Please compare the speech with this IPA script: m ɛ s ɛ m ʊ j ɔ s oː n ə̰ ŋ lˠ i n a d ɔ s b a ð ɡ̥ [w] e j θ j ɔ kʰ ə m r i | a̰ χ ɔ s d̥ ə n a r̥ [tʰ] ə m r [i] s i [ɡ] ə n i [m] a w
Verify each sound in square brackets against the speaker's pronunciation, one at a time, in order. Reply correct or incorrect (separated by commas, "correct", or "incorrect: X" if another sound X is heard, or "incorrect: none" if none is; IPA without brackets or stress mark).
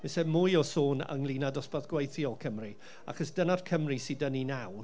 correct, incorrect: kʰ, correct, incorrect: d, incorrect: n